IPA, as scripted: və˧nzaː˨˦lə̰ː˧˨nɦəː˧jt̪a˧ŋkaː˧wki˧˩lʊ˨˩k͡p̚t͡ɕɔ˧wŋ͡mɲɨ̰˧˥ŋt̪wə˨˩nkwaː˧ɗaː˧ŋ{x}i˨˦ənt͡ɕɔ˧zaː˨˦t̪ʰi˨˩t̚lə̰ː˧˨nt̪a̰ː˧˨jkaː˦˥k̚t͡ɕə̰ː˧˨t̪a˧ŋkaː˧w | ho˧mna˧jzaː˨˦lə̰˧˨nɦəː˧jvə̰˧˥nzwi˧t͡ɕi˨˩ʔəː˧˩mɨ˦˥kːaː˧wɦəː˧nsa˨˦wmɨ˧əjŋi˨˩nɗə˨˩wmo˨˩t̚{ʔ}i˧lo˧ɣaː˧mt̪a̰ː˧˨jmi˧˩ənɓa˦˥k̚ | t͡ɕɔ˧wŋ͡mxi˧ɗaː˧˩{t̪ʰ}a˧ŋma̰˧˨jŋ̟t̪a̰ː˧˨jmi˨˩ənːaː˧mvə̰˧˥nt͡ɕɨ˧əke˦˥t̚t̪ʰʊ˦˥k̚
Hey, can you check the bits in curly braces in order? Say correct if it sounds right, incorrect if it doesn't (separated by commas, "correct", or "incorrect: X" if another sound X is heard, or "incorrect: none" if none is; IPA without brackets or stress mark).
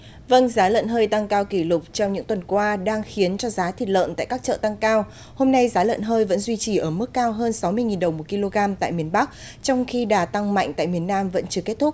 correct, incorrect: k, incorrect: t̪